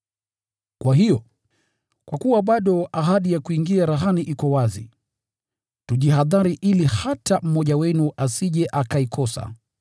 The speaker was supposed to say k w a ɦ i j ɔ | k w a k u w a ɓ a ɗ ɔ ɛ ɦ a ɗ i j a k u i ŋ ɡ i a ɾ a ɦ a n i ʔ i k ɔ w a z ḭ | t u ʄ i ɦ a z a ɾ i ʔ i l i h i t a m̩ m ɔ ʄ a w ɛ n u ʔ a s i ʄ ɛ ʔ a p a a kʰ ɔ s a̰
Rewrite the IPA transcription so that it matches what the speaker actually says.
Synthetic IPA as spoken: k w a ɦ i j ɔ | k w a k u w a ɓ a ɗ ɔ a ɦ a ɗ i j a k u i ŋ ɡ i a ɾ a ɦ a n i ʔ i k ɔ w a z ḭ | t u ʄ i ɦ a ð a ɾ i ʔ i l i h a t a m̩ m ɔ ʄ a w ɛ n u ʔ a s i ʄ ɛ ʔ a k a i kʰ ɔ s a̰

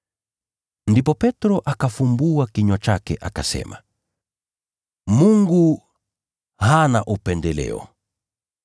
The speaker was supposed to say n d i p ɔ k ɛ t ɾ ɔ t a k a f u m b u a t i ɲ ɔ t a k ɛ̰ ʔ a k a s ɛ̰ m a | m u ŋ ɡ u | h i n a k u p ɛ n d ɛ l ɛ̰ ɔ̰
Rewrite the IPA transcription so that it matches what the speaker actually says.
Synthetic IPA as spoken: n d i p ɔ p ɛ t ɾ ɔ ʔ a k a f u m b u a k i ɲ ɔ t͡ʃ a k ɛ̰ ʔ a k a s ɛ̰ m a | m u ŋ ɡ u | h a n a ʔ u p ɛ n d ɛ l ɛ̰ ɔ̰

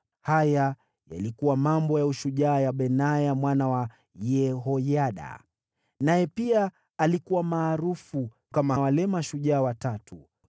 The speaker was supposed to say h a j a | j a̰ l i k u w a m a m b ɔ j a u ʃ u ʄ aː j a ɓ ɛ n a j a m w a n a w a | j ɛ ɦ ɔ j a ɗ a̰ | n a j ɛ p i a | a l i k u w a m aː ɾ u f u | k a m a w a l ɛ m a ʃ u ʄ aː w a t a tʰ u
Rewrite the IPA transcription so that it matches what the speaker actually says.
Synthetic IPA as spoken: h a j a | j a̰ l i k u w a m a m b ɔ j a u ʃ u ʄ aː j a ɓ ɛ n a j a m w a n a w a | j ɛ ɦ ɔ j a ɗ a̰ | n a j ɛ p i a | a l i k u w a m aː ɾ u f u | k a m a w a l ɛ m a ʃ u ʄ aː w a t a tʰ u

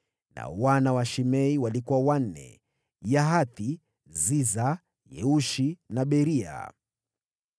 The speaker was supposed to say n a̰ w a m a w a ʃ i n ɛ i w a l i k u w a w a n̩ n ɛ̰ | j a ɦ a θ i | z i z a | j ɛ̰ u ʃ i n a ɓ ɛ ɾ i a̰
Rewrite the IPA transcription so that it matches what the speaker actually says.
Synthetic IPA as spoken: n a̰ w a n a w a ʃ i m ɛ i w a l i k u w a w a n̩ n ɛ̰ | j a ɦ a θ i | z i z a | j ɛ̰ u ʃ i n a ɓ ɛ ɾ i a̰

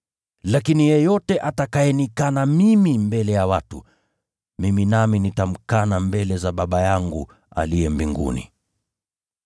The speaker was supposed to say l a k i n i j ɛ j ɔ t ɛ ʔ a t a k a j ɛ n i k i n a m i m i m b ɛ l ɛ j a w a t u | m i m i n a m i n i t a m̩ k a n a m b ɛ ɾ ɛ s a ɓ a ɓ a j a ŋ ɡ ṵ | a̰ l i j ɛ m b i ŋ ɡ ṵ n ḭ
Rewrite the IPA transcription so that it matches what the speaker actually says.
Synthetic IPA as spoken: l a k i n i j ɛ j ɔ t ɛ ʔ a t a k a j ɛ n i k a n a m i m i m b ɛ l ɛ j a w a t u | m i m i n a m i n i t a m̩ k a n a m b ɛ l ɛ z a ɓ a ɓ a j a ŋ ɡ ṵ | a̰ l i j ɛ m b i ŋ ɡ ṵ n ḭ

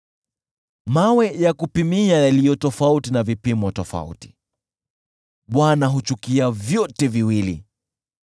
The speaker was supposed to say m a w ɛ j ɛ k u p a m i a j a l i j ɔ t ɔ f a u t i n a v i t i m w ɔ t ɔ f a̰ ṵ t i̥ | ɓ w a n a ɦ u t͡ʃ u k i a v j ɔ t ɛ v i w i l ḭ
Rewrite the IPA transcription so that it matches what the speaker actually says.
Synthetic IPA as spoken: m a w ɛ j a k u p i m i a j a l i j ɔ t ɔ f a u t i n a v i p i m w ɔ t ɔ f a̰ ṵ t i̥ | ɓ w a n a ɦ u t͡ʃ u k i a v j ɔ t ɛ v i w i l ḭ

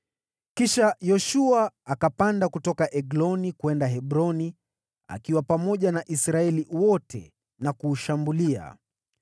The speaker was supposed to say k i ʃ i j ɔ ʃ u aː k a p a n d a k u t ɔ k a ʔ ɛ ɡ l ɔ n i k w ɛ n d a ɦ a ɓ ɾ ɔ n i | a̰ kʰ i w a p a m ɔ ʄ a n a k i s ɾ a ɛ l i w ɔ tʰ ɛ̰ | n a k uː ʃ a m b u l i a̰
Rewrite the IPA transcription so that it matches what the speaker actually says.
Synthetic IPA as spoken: k i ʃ a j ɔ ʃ u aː k a p a n d a k u t ɔ k a ʔ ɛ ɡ l ɔ n i k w ɛ n d a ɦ ɛ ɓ ɾ ɔ n i | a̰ k i w a p a m ɔ ʄ a n a ʔ i s ɾ a ɛ l i w ɔ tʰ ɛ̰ | n a k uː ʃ a m b u l i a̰

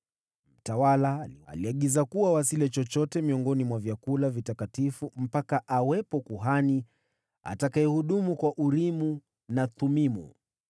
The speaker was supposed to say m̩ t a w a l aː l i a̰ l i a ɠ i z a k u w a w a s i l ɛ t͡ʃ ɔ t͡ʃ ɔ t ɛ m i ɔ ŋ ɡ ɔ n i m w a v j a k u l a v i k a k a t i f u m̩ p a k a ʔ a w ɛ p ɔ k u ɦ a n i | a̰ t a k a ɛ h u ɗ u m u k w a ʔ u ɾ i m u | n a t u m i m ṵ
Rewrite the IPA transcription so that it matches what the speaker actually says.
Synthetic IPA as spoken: m̩ t a w a l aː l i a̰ l i a ɠ i z a k u w a w a s i l ɛ t͡ʃ ɔ t͡ʃ ɔ t ɛ m i ɔ ŋ ɡ ɔ n i m w a v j a k u l a v i t a k a t i f u m̩ p a k a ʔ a w ɛ p ɔ k u ɦ a n i | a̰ t a k a ɛ h u ɗ u m u k w a ʔ u ɾ i m u | n a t u m i m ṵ

